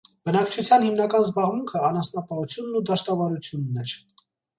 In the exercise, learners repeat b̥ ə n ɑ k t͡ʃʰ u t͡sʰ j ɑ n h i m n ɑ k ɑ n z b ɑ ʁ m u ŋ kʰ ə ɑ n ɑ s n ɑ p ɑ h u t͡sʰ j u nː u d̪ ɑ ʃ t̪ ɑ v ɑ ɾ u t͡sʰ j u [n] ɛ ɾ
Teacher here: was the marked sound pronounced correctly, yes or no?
no